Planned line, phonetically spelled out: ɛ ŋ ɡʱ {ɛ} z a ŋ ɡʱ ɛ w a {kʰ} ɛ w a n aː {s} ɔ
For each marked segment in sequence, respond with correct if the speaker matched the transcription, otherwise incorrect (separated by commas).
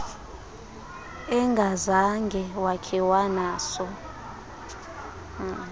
incorrect, correct, correct